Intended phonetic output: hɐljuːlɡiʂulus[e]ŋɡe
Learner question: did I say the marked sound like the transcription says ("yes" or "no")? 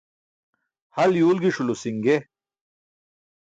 no